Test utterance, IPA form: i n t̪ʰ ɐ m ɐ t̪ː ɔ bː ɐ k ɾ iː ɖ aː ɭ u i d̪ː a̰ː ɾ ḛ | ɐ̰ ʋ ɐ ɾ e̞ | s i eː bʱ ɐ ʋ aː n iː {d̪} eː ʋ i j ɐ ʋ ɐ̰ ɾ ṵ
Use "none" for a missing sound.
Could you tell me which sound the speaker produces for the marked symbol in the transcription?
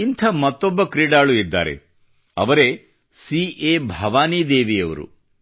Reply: d̪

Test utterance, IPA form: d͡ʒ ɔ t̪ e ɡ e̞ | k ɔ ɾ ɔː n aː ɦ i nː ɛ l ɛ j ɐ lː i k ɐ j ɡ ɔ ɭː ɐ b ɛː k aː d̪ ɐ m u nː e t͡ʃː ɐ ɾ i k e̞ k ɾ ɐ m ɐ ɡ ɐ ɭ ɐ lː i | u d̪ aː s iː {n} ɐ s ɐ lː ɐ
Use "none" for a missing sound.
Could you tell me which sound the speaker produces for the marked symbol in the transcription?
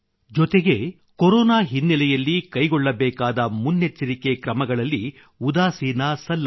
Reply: n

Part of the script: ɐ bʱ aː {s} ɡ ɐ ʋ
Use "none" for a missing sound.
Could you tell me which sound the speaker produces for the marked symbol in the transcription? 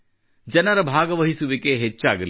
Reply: none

